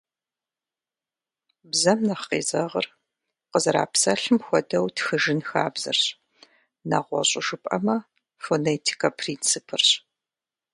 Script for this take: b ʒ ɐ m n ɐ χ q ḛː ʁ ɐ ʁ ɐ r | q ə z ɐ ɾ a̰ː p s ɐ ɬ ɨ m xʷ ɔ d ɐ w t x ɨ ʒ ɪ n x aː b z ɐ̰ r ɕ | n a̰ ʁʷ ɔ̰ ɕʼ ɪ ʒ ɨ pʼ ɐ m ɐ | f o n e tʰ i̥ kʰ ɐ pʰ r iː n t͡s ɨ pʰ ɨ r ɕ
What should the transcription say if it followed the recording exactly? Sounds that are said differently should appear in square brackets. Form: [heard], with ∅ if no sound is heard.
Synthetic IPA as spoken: b [z] ɐ m n ɐ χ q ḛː [z] ɐ ʁ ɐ r | q ə z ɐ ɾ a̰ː p s ɐ ɬ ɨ m xʷ ɔ d ɐ w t x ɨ ʒ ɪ n x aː b z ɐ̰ r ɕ | n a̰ ʁʷ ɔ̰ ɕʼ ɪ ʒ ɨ pʼ ɐ m ɐ | f o n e tʰ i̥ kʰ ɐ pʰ r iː n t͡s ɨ pʰ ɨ r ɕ